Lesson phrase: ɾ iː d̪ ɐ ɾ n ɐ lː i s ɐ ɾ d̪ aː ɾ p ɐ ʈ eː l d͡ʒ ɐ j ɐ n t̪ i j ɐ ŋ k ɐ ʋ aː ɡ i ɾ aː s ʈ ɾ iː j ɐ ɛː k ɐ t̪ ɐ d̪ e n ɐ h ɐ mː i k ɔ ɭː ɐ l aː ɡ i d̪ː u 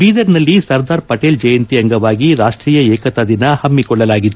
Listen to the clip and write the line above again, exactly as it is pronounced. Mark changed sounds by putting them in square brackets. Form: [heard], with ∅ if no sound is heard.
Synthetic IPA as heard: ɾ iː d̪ ɐ ɾ n ɐ lː i s ɐ ɾ d̪ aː ɾ p ɐ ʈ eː l d͡ʒ ɐ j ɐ n t̪ i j ɐ ŋ [ɡ] ɐ ʋ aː ɡ i ɾ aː [ʂ] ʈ ɾ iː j ɐ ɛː k ɐ t̪ ɐ d̪ [i] n ɐ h ɐ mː i k ɔ ɭː ɐ l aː ɡ i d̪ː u